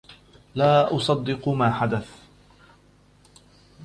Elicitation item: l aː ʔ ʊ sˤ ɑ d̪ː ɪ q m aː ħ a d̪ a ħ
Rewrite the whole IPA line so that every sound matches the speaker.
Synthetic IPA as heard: l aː ʔ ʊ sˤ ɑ d̪ː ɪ q m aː ħ a d̪ a θ